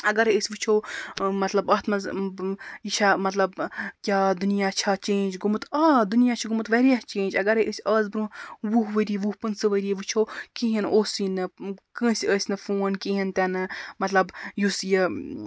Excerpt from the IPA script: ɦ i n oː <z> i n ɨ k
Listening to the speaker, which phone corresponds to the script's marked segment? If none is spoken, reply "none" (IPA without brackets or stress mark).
s